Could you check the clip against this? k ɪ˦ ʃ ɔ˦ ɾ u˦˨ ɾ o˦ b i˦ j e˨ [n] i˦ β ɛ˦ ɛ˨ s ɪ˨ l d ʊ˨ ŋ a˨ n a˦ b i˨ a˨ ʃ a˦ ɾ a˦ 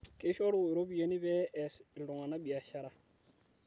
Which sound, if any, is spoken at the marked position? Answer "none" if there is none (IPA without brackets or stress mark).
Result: n